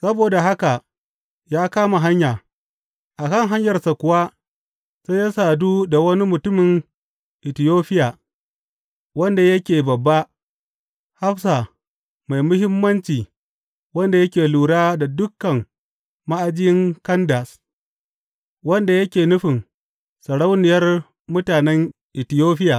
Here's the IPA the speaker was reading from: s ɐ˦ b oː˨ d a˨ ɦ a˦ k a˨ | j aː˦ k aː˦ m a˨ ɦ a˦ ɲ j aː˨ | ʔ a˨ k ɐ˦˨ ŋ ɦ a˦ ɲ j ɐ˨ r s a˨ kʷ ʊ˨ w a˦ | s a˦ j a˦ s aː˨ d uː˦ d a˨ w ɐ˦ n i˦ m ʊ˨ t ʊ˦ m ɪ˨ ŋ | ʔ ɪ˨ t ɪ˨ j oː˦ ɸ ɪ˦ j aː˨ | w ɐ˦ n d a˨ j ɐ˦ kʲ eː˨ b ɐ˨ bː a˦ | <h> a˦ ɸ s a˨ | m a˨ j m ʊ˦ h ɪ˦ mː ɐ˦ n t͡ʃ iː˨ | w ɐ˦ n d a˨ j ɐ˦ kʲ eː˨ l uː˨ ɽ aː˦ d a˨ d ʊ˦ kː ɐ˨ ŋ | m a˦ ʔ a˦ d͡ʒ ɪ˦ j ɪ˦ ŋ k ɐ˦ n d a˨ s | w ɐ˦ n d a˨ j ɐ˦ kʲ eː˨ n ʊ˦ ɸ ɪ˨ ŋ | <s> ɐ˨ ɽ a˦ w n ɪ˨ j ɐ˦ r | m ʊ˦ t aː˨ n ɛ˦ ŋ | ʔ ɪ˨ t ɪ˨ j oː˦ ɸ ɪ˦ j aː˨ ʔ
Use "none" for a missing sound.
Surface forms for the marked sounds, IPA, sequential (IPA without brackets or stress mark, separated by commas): h, s